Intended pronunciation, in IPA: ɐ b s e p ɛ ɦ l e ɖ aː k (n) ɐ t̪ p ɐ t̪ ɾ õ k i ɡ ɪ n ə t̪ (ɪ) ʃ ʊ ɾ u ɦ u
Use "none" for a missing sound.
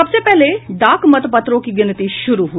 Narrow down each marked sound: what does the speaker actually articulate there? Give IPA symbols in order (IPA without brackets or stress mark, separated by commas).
m, i